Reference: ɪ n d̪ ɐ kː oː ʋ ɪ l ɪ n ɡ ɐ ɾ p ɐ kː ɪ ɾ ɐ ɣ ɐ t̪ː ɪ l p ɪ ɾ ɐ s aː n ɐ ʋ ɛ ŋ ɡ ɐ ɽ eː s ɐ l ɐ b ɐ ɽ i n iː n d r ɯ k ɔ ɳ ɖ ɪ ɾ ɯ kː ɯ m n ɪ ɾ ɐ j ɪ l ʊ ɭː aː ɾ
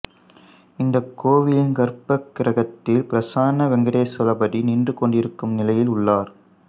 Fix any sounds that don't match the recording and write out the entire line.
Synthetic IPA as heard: ɪ n d̪ ɐ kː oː ʋ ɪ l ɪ n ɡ ɐ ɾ p ɐ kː ɪ ɾ ɐ ɣ ɐ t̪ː ɪ l p ɪ ɾ ɐ s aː n ɐ ʋ ɛ ŋ ɡ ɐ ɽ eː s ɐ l ɐ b ɐ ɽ i n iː n d r ɯ k ɔ ɳ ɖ ɪ ɾ ɯ kː ɯ m n ɪ l ɐ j ɪ l ʊ ɭː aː ɾ

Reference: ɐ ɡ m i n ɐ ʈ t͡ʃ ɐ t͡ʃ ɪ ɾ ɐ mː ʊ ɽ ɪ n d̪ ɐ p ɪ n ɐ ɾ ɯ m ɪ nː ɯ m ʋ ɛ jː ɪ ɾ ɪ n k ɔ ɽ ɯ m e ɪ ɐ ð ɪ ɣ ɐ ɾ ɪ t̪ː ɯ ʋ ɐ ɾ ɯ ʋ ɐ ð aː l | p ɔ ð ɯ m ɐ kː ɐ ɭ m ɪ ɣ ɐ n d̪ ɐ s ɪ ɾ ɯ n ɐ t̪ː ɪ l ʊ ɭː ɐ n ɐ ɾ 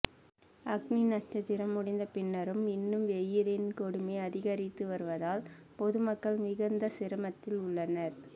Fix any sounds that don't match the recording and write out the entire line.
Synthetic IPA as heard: ɐ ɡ n i n ɐ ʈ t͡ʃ ɐ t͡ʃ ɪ ɾ ɐ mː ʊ ɽ ɪ n d̪ ɐ p ɪ nː ɐ ɾ ɯ m ɪ nː ɯ m ʋ ɛ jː ɪ ɾ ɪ n k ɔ ɽ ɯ m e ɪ ɐ ð ɪ ɣ ɐ ɾ ɪ t̪ː ɯ ʋ ɐ ɾ ɯ ʋ ɐ ð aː l | p ɔ ð ɯ m ɐ kː ɐ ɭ m ɪ ɣ ɐ n d̪ ɐ s ɪ ɾ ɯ m ɐ t̪ː ɪ l ʊ ɭː ɐ n ɐ ɾ

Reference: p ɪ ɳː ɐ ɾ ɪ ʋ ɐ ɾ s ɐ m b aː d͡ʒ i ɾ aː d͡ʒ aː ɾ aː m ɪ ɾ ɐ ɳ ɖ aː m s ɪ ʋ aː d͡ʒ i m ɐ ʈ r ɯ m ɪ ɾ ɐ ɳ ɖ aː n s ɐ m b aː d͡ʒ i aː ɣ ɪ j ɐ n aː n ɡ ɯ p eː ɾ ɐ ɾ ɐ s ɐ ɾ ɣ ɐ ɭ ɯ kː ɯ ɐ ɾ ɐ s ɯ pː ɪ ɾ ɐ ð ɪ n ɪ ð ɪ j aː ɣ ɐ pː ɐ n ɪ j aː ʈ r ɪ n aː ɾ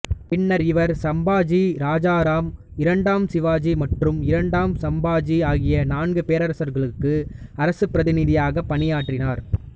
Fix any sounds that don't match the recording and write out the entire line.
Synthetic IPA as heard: p ɪ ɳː ɐ ɾ ɪ ʋ ɐ ɾ s ɐ m b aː d͡ʒ i ɾ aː d͡ʒ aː ɾ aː m ɪ ɾ ɐ ɳ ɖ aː m s ɪ ʋ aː d͡ʒ i m ɐ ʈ r ɯ m ɪ ɾ ɐ ɳ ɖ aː m s ɐ m b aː d͡ʒ i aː ɣ ɪ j ɐ n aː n ɡ ɯ p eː ɾ ɐ ɾ ɐ s ɐ ɾ ɣ ɐ ɭ ɯ kː ɯ ɐ ɾ ɐ s ɯ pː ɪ ɾ ɐ ð ɪ n ɪ ð ɪ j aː ɣ ɐ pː ɐ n ɪ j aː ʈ r ɪ n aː ɾ

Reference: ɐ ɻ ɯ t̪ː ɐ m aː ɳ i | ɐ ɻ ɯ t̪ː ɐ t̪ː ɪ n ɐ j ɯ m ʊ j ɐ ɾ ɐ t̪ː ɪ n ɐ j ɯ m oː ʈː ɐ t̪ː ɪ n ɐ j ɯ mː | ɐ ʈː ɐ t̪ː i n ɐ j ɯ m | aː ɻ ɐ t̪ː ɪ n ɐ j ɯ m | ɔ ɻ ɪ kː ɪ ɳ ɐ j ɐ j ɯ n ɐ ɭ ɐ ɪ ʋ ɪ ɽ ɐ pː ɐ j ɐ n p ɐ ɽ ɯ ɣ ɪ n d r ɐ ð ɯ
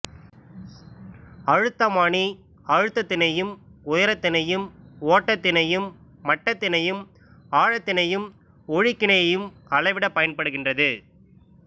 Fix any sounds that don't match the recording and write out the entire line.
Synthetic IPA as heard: ɐ ɻ ɯ t̪ː ɐ m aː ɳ i | ɐ ɻ ɯ t̪ː ɐ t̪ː ɪ n ɐ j ɯ m ʊ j ɐ ɾ ɐ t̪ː ɪ n ɐ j ɯ m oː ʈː ɐ t̪ː ɪ n ɐ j ɯ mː | ɐ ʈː ɐ t̪ː ɪ n ɐ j ɯ m | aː ɻ ɐ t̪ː ɪ n ɐ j ɯ m | ɔ ɻ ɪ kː ɪ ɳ ɐ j ɐ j ɯ m ɐ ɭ ɐ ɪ ʋ ɪ ɽ ɐ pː ɐ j ɐ n p ɐ ɽ ɯ ɣ ɪ n d r ɐ ð ɯ

